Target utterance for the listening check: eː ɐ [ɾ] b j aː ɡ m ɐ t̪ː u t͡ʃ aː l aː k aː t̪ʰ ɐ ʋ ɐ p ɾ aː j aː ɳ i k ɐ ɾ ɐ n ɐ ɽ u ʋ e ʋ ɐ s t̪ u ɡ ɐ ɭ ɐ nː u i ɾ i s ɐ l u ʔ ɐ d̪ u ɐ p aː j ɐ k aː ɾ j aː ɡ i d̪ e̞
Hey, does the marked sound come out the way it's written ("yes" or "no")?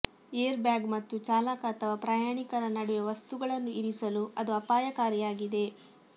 yes